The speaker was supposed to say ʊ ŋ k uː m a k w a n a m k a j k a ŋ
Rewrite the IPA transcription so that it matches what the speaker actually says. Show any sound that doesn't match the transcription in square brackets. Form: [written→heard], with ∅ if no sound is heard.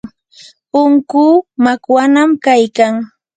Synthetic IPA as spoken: ʊ ŋ k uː m a k w a n a m k a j k a ŋ